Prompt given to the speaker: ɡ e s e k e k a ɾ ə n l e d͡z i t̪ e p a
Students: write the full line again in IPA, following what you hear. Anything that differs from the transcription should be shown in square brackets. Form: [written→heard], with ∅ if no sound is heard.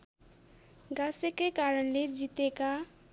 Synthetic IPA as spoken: ɡ [e→a] s e k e k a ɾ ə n l e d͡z i t̪ e [p→k] a

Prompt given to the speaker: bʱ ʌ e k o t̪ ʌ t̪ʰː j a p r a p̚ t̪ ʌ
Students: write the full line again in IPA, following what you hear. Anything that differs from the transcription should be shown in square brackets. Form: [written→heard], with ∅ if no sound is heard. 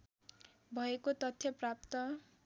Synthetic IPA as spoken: bʱ ʌ e k o t̪ ʌ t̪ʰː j [a→ʌ] p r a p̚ t̪ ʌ

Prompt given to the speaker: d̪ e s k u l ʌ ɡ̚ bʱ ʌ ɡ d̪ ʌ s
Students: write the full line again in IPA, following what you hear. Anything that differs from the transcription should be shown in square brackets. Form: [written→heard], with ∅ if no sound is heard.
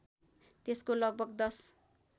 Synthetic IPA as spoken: [d̪→t̪] e s k [u→o] l ʌ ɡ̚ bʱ ʌ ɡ d̪ ʌ s

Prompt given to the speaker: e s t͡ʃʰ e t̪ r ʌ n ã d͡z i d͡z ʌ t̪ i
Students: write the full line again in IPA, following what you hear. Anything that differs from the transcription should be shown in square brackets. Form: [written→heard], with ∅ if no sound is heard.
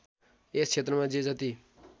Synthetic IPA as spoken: e s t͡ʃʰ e t̪ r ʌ [n→m] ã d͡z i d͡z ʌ t̪ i

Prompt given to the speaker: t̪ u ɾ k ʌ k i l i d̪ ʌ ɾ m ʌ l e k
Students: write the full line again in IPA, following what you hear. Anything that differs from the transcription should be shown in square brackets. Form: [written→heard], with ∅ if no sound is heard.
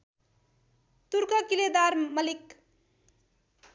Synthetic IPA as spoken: t̪ u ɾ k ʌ k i l [i→e] d̪ [ʌ→a] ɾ m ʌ l [e→i] k

